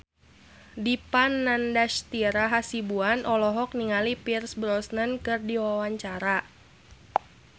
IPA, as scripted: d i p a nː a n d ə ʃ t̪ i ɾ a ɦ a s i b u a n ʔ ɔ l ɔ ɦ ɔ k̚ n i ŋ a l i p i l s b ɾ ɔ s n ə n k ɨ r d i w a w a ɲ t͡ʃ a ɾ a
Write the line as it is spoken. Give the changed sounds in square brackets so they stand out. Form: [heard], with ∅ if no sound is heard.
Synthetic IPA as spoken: d i p a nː a n d [a] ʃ t̪ i ɾ a ɦ a s i b u a n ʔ ɔ l ɔ ɦ ɔ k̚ n i ŋ a l i p i [r] s b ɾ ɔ s n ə n k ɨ r d i w a w a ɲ t͡ʃ a ɾ a

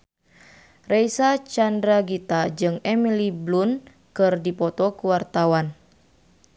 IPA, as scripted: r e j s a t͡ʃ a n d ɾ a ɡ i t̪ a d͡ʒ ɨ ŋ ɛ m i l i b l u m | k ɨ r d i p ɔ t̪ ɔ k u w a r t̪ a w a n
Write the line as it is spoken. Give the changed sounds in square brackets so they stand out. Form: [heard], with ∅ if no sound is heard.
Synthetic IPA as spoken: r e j s a t͡ʃ a n d ɾ a ɡ i t̪ a d͡ʒ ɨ ŋ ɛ m i l i b l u [n] | k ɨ r d i p ɔ t̪ ɔ k u w a r t̪ a w a n

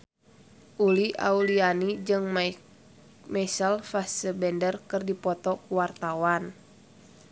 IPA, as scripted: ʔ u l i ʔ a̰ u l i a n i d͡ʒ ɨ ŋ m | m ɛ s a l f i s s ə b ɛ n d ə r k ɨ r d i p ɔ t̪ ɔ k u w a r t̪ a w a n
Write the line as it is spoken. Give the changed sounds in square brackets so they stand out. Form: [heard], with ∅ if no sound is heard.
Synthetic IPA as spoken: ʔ u l i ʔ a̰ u l i a n i d͡ʒ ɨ ŋ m | m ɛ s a l f [a] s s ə b ɛ n d ə r k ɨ r d i p ɔ t̪ ɔ k u w a r t̪ a w a n

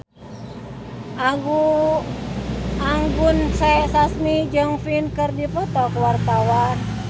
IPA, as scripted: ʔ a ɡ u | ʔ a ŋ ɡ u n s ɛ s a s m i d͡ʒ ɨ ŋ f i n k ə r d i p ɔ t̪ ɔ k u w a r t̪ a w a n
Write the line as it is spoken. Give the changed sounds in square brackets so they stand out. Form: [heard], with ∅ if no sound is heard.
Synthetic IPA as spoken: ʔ a ɡ u | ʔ a ŋ ɡ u n s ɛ s a s m i d͡ʒ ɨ ŋ f i n k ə r d i p ɔ t̪ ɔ k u w a r t̪ a w a n

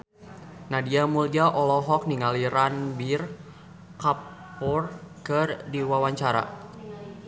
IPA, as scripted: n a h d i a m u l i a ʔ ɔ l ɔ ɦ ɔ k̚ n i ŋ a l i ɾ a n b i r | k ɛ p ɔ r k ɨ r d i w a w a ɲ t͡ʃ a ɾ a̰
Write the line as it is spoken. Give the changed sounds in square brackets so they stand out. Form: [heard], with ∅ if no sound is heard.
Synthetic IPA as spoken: n a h d i a m u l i a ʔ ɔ l ɔ ɦ ɔ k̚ n i ŋ a l i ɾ a n b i r | k [a] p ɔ r k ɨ r d i w a w a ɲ t͡ʃ a ɾ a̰

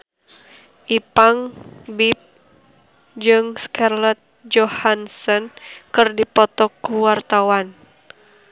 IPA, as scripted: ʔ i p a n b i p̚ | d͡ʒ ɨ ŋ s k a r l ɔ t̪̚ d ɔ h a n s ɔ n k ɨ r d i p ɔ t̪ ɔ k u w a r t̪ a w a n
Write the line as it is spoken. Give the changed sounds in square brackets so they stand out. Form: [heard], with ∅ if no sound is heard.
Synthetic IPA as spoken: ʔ i p a [ŋ] b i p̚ | d͡ʒ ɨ ŋ s k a r l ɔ t̪̚ [d͡ʒ] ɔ h a n s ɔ n k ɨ r d i p ɔ t̪ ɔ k u w a r t̪ a w a n

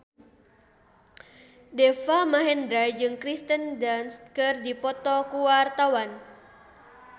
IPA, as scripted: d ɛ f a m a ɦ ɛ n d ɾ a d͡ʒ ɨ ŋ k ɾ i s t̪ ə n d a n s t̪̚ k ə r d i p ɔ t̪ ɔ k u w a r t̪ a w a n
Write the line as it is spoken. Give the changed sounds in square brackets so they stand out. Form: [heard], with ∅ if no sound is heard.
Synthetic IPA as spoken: d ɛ f a m a ɦ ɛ n d ɾ a d͡ʒ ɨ ŋ k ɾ i s t̪ ə n d a n s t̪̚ k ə r d i p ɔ t̪ ɔ k u w a r t̪ a w a n

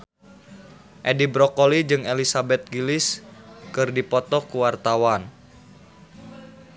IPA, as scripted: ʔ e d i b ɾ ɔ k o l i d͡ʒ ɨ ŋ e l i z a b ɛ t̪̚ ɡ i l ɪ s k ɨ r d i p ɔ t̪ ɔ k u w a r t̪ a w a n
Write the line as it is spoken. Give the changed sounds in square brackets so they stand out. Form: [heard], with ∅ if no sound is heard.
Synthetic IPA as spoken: ʔ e d i b ɾ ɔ k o l i d͡ʒ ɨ ŋ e l i [s] a b ɛ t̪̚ ɡ i l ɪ s k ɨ r d i p ɔ t̪ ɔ k u w a r t̪ a w a n

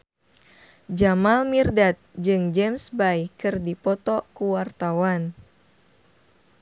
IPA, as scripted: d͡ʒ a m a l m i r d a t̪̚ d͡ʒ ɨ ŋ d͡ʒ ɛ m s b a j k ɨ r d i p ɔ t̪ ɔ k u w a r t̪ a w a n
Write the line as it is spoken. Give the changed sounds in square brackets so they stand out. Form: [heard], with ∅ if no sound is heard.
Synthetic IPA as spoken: d͡ʒ a m a l m i r d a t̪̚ d͡ʒ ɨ ŋ d͡ʒ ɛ m s b a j k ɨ r d i p ɔ t̪ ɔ k u w a r t̪ a w a n

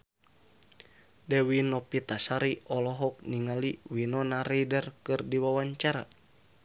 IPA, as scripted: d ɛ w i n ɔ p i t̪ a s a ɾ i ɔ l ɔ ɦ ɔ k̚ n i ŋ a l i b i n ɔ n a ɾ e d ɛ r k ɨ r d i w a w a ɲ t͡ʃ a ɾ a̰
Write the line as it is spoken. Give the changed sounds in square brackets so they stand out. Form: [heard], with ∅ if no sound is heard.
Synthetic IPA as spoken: d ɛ w i n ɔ p i t̪ a s a ɾ i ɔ l ɔ ɦ ɔ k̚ n i ŋ a l i [w] i n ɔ n a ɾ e d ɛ r k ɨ r d i w a w a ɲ t͡ʃ a ɾ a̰

